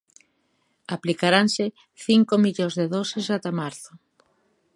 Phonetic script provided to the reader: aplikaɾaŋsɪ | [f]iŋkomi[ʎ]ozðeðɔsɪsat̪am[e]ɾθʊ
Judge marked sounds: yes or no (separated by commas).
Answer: no, yes, no